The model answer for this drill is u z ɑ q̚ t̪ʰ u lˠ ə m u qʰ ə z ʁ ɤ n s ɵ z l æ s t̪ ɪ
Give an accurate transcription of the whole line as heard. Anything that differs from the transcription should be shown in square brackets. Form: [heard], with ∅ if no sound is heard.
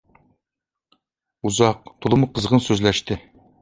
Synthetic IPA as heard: u z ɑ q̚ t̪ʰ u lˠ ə m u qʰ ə z ʁ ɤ n s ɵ z l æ [ʃ] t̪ ɪ